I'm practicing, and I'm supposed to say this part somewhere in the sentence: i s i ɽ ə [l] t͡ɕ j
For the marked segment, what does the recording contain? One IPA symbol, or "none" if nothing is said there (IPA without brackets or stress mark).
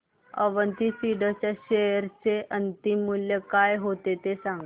none